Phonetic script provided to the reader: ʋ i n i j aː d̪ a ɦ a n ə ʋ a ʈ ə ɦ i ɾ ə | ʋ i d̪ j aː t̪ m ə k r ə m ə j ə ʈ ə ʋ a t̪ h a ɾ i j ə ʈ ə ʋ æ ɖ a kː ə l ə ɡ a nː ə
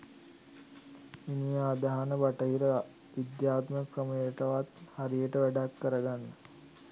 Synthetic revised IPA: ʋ i n i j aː d̪ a ɦ a n ə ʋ a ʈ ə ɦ i ɾ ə | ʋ i d̪ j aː t̪ m ə k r ə m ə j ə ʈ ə ʋ a t̪ h a ɾ i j ə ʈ ə ʋ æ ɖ a kː ə ɾ ə ɡ a nː ə

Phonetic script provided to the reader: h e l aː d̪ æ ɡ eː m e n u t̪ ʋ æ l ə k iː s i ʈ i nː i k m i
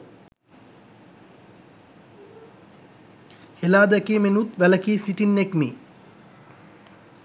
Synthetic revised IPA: h e l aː d̪ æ k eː m e n u t̪ ʋ æ l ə k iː s i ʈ i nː e k m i

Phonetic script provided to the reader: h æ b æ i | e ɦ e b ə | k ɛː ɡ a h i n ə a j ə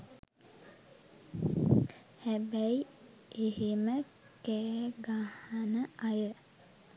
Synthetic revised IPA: h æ b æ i | e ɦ e m ə | k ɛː ɡ a h a n ə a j ə

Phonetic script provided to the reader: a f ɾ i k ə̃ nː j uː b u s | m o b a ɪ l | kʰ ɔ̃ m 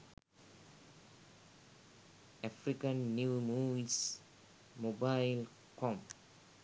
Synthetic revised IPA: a f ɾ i k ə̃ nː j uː m u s | m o b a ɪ l | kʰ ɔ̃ m

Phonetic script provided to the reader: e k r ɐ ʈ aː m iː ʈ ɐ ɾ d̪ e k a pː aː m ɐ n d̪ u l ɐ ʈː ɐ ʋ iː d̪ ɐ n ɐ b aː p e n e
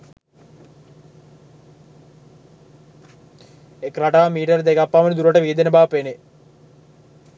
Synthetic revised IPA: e k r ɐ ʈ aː m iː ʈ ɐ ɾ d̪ e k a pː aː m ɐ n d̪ u ɾ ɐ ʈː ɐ ʋ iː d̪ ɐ n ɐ b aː p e n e

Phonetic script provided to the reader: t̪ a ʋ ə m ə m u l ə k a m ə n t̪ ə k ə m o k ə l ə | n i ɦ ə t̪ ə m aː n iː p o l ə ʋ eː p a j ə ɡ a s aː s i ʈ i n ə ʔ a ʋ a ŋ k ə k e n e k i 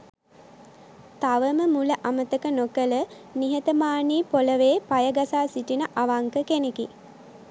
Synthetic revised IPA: t̪ a ʋ ə m ə m u l ə ʔ a m ə t̪ ə k ə n o k ə l ə | n i ɦ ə t̪ ə m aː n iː p o l ə ʋ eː p a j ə ɡ a s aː s i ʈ i n ə ʔ a ʋ a ŋ k ə k e n e k i

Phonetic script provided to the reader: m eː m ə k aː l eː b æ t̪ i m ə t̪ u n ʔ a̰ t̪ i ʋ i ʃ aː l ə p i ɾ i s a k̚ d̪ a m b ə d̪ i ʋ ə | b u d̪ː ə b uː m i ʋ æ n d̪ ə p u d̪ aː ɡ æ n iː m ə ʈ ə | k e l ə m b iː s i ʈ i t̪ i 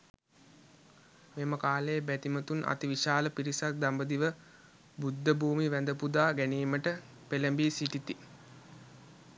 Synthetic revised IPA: m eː m ə k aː l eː b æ t̪ i m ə t̪ u n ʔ a̰ t̪ i ʋ i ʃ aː l ə p i ɾ i s a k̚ d̪ a m b ə d̪ i ʋ ə | b u d̪ː ə b uː m i ʋ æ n d̪ ə p u d̪ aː ɡ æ n iː m ə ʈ ə | p e l ə m b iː s i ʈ i t̪ i

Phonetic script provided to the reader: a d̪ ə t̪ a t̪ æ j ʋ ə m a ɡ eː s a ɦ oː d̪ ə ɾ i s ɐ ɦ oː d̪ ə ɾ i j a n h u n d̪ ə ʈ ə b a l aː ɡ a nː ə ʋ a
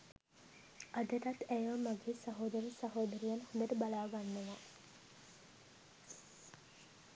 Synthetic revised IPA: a d̪ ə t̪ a t̪ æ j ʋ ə m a ɡ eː s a ɦ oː d̪ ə ɾ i s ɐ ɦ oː d̪ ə ɾ i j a n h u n d̪ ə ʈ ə b a l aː ɡ a nː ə ʋ a

